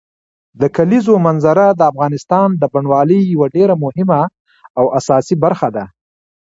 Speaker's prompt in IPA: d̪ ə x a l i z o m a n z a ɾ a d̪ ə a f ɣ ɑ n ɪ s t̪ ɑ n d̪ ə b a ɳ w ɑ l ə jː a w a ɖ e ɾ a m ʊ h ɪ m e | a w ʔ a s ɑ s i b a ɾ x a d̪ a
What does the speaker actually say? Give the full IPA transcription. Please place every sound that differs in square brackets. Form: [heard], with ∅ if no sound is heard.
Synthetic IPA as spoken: d̪ ə [k] a l i z o m a n z a ɾ a d̪ ə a f ɣ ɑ n ɪ s t̪ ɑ n d̪ ə b a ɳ w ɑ l ə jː a w a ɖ e ɾ a m ʊ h ɪ m [a] | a w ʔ a s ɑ s i b a ɾ x a d̪ a